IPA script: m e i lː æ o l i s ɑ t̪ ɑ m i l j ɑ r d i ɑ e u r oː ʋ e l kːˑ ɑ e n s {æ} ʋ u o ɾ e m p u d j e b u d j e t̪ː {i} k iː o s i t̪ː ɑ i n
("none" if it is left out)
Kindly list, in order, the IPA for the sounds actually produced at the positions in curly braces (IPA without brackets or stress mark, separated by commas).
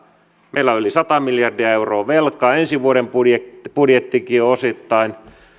i, i